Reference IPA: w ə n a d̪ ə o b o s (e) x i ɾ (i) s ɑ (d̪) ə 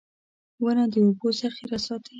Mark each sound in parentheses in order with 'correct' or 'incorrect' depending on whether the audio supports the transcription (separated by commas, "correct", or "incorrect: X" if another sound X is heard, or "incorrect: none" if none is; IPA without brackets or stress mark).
incorrect: a, incorrect: a, incorrect: t̪